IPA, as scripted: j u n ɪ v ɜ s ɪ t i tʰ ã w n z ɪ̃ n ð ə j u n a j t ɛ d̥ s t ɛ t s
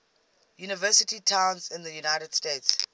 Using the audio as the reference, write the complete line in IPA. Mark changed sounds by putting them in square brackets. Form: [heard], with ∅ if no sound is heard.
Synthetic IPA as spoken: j u n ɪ v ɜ s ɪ t i tʰ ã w n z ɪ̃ n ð ə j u n a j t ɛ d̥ s t [e] t s